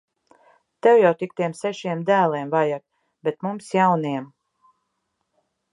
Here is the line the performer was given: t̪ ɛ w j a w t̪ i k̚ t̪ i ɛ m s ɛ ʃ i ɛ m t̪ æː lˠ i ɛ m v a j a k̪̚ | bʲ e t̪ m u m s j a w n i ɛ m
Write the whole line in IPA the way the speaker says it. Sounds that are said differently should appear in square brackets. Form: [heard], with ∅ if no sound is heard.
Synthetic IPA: t̪ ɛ w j a w t̪ i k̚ t̪ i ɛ m s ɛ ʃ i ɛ m [d̪] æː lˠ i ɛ m v a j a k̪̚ | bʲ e t̪ m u m s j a w n i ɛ m